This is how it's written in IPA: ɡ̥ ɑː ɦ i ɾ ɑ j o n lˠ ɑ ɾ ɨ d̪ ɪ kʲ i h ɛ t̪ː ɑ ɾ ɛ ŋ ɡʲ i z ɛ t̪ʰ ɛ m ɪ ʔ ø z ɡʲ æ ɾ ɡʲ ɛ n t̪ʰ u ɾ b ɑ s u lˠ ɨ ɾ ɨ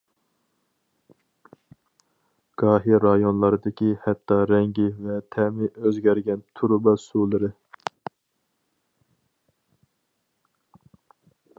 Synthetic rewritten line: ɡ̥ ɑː ɦ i ɾ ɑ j o n lˠ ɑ ɾ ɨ d̪ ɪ kʲ i h ɛ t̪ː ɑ ɾ ɛ ŋ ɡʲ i v ɛ t̪ʰ ɛ m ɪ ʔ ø z ɡʲ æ ɾ ɡʲ ɛ n t̪ʰ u ɾ b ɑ s u lˠ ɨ ɾ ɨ